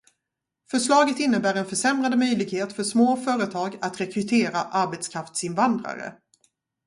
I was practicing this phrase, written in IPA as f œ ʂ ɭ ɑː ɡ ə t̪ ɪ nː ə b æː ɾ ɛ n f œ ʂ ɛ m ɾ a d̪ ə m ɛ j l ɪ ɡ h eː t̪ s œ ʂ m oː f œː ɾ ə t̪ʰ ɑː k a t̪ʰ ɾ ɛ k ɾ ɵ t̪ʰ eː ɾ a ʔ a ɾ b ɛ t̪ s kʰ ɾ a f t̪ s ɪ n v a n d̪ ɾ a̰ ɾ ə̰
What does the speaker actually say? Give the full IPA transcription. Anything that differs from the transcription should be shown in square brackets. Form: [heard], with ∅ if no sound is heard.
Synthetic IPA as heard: f œ ʂ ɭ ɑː ɡ ə t̪ ɪ nː ə b æː ɾ ɛ n f œ ʂ ɛ m ɾ a d̪ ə m [œ] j l ɪ ɡ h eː t̪ [f] œ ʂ m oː f œː ɾ ə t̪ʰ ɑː [ɡ] a [t̪] ɾ ɛ k ɾ ɵ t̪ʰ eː ɾ a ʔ a ɾ b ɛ t̪ s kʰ ɾ a f t̪ s ɪ n v a n d̪ ɾ a̰ ɾ ə̰